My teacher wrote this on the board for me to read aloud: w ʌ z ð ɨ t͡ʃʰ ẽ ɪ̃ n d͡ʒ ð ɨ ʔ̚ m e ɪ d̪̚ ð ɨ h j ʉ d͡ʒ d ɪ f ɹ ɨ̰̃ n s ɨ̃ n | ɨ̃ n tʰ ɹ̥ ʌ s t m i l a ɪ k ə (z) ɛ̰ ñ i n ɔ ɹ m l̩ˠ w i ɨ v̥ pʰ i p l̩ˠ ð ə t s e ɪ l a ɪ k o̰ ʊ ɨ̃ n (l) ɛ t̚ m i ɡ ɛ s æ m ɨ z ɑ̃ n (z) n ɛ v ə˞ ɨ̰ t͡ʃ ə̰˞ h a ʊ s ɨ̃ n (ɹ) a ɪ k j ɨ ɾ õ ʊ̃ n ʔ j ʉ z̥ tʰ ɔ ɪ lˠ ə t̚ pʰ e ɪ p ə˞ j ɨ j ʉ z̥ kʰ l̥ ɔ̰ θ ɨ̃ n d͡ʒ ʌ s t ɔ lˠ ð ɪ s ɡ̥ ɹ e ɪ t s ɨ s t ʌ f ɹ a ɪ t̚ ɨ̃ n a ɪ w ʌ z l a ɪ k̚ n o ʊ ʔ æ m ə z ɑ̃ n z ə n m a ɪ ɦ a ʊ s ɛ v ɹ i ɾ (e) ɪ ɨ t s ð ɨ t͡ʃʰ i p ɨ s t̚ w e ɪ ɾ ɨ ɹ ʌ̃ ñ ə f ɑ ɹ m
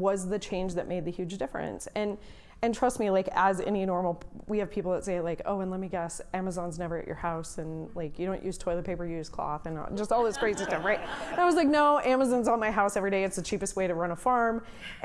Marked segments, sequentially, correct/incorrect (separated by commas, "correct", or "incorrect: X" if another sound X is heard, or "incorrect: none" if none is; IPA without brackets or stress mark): correct, correct, correct, incorrect: l, correct